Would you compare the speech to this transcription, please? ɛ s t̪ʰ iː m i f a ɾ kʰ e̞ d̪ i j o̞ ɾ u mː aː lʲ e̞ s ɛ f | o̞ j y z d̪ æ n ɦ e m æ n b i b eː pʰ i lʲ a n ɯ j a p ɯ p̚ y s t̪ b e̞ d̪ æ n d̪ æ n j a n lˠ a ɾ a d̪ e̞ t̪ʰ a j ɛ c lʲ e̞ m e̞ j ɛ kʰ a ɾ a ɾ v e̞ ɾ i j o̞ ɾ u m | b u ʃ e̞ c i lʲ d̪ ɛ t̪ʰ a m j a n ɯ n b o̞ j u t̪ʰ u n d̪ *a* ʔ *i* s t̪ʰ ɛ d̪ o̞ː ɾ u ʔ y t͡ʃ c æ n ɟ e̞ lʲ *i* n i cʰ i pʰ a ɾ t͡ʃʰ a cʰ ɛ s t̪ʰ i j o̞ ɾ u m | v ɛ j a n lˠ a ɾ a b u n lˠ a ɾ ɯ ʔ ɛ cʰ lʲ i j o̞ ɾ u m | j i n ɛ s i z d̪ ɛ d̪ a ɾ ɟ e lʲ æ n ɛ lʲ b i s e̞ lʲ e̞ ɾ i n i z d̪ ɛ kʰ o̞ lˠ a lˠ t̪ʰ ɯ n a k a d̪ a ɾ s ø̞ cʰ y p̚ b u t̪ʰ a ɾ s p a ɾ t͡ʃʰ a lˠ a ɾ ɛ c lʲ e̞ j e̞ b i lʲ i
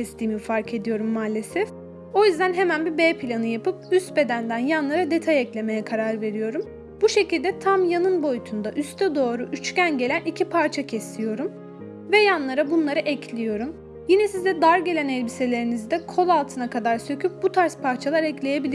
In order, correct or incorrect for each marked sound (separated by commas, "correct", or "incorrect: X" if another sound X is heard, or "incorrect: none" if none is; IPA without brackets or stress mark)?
correct, incorrect: y, incorrect: æ